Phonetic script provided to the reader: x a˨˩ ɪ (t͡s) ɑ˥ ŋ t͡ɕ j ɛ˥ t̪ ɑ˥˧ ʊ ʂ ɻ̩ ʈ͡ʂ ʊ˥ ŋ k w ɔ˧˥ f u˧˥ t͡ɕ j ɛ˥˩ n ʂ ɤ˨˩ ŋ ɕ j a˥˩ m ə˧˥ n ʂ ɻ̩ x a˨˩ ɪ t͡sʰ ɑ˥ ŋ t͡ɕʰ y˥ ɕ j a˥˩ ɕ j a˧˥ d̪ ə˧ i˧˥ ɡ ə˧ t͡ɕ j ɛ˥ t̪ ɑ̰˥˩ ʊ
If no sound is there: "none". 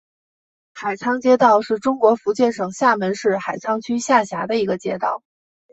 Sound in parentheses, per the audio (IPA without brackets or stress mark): t͡sʰ